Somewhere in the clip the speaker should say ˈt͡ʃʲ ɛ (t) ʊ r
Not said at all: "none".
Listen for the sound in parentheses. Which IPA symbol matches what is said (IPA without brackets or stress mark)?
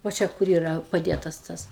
k